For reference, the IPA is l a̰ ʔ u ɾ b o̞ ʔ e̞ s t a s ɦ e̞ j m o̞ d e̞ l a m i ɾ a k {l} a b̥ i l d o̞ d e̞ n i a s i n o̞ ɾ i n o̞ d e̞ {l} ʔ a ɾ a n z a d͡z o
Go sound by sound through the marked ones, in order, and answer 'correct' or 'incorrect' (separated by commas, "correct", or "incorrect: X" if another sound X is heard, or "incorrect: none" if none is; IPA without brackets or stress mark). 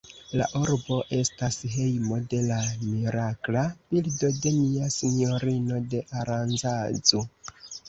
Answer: correct, incorrect: none